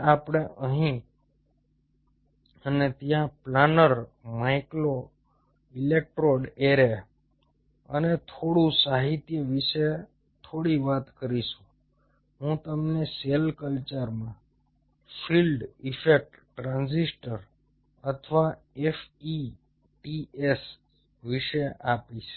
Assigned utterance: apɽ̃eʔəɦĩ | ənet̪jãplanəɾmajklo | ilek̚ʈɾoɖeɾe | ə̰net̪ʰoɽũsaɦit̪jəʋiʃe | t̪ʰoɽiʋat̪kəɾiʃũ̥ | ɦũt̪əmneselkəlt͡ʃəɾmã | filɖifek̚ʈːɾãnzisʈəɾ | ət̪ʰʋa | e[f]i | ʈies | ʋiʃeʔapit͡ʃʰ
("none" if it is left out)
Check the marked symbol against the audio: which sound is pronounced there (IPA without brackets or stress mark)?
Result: f